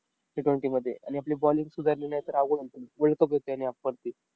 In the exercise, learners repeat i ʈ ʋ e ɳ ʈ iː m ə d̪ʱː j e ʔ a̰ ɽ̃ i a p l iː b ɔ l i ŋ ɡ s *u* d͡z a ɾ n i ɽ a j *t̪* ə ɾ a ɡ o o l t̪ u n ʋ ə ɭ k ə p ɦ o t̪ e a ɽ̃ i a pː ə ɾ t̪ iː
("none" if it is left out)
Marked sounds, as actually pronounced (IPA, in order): u, t̪

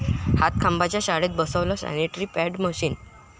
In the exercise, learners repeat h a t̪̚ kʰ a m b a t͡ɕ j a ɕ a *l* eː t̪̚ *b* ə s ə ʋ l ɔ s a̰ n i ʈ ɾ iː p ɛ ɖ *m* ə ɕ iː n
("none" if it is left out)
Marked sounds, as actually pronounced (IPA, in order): ɽ, b, m

